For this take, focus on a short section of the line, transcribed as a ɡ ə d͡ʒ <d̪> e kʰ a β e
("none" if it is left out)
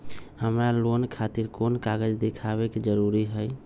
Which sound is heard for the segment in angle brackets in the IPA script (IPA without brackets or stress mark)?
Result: d̪